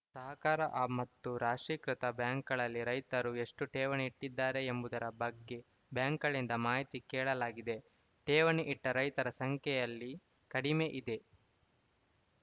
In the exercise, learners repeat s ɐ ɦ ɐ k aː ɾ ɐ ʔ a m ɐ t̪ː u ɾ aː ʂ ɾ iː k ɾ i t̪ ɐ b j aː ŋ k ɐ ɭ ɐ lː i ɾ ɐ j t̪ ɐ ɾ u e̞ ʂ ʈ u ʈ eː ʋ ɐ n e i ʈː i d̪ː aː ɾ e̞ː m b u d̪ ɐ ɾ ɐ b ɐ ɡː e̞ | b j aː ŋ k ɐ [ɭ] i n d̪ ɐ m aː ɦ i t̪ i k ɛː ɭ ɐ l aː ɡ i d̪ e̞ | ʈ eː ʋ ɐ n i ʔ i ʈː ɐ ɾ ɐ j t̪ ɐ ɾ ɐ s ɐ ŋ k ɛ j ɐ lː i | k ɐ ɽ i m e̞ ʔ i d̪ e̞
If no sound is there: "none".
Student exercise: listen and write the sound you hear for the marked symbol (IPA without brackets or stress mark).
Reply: ɭ